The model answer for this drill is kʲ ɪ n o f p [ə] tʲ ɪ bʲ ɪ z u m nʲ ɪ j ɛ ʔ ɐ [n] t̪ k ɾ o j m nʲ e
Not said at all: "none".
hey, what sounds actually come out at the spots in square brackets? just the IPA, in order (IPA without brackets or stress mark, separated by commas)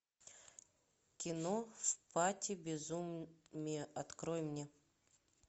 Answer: a, none